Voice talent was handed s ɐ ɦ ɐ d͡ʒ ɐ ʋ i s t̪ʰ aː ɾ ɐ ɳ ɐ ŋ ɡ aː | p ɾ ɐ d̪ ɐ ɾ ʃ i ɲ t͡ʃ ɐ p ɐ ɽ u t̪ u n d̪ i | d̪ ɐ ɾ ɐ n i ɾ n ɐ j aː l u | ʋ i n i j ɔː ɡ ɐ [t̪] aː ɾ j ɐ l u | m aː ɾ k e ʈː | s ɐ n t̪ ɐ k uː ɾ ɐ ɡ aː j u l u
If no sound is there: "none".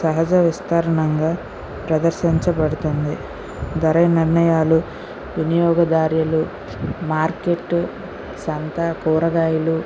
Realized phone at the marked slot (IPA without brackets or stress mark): d̪